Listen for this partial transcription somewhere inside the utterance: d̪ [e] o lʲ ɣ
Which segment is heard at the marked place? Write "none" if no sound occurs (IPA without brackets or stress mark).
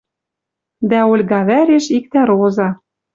æ